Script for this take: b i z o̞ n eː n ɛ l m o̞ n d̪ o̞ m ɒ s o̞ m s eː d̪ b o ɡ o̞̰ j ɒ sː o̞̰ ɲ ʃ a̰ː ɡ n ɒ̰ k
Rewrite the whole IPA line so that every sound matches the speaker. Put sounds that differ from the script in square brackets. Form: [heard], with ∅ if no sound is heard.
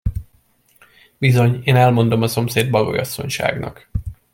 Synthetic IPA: b i z o̞ [ɲ] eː n ɛ l m o̞ n d̪ o̞ m ɒ s o̞ m s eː d̪ b [ɒ] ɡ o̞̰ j ɒ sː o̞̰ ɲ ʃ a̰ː ɡ n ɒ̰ k